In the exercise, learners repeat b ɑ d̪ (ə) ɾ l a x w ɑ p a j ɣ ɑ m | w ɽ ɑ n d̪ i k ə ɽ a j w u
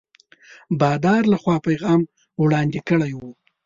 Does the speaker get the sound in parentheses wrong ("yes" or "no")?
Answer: yes